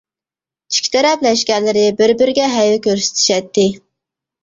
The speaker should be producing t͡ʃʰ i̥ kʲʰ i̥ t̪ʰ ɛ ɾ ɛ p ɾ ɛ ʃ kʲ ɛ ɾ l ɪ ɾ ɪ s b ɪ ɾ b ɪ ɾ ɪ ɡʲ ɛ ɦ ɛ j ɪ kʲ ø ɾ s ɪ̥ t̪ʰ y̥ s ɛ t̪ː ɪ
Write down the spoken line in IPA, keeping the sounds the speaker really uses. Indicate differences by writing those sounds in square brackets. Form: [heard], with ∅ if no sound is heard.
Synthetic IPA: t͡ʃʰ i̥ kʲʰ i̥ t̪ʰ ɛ ɾ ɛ p [l] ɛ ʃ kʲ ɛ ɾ l ɪ ɾ ɪ [∅] b ɪ ɾ b ɪ ɾ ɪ ɡʲ ɛ ɦ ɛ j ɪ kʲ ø ɾ s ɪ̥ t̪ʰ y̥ [ʃ] ɛ t̪ː ɪ